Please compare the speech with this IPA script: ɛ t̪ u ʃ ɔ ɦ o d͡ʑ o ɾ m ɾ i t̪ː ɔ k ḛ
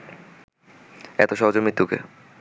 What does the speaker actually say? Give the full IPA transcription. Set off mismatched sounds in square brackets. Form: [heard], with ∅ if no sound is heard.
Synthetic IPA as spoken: ɛ t̪ [o] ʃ ɔ ɦ o d͡ʑ o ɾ m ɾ i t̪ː [u] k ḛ